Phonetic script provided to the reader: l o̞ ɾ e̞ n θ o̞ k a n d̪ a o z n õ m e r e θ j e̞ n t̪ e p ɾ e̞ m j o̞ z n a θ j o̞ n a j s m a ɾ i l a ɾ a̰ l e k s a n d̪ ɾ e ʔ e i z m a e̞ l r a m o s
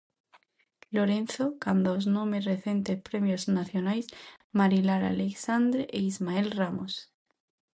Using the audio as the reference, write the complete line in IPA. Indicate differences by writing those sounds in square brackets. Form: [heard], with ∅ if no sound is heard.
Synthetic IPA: l o̞ ɾ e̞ n θ o̞ k a n d̪ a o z n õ m e r e θ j e̞ n t̪ e p ɾ e̞ m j o̞ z n a θ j o̞ n a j s m a ɾ i l a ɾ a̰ l e k s a n d̪ ɾ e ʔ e i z m a e̞ l r a m o s